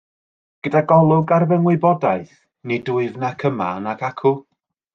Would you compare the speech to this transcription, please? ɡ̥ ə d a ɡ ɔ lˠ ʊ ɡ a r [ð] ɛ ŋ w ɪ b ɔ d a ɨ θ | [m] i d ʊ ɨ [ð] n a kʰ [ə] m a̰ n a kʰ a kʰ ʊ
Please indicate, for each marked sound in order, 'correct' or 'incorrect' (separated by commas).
incorrect, incorrect, incorrect, correct